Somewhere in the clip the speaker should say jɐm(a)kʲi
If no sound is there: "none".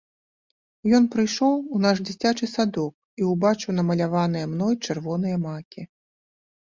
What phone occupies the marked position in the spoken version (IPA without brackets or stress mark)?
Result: a